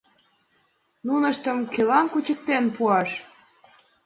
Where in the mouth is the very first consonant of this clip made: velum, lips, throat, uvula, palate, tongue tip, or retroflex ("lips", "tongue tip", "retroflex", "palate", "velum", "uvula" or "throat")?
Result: tongue tip